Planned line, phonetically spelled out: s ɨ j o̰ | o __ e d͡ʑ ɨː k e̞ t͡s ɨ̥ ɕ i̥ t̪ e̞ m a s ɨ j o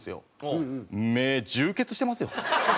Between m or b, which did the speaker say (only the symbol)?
m